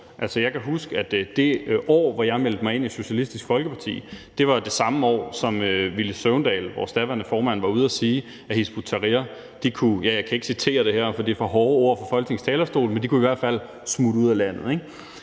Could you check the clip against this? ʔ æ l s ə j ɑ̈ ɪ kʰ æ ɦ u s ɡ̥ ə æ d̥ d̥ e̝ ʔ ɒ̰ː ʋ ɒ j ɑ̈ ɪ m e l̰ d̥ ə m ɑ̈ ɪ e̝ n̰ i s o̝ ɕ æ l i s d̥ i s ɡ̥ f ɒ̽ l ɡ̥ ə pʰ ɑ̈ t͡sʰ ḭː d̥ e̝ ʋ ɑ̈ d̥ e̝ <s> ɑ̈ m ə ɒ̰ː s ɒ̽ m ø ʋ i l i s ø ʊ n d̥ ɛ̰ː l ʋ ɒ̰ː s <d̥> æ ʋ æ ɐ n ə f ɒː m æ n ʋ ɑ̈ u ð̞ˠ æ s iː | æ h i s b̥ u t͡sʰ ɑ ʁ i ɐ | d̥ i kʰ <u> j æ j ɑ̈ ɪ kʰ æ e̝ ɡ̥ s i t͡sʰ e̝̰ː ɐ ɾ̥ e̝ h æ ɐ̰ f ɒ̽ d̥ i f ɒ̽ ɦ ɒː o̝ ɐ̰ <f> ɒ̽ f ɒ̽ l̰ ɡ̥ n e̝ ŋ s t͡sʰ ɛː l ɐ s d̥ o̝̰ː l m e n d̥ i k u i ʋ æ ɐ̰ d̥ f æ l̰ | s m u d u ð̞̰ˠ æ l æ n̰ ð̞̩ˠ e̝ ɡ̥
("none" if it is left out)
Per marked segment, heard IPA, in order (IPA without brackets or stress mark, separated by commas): s, d̥, u, f